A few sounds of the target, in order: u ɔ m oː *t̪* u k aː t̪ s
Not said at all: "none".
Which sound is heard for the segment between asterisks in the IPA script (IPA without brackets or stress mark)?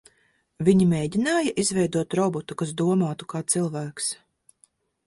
t̪